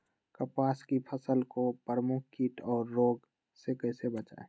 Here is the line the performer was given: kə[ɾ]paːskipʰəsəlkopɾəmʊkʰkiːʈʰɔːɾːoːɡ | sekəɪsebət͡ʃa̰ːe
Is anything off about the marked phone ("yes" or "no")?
yes